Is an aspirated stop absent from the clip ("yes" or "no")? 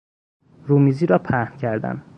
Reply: no